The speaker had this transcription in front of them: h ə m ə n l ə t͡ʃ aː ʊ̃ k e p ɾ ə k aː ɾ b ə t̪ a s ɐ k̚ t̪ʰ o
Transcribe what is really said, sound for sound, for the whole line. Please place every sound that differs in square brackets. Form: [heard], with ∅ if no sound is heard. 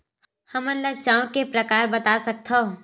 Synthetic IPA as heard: h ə m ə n l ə t͡ʃ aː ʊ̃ k e p ɾ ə k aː ɾ b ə t̪ a s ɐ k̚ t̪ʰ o